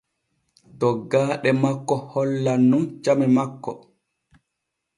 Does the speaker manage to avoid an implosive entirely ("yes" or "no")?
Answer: no